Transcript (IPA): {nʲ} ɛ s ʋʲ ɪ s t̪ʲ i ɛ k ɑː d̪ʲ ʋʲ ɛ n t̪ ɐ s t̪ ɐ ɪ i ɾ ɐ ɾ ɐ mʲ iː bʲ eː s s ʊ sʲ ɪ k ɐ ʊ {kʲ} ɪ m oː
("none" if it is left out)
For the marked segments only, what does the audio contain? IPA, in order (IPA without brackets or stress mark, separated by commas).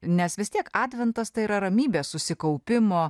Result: nʲ, pʲ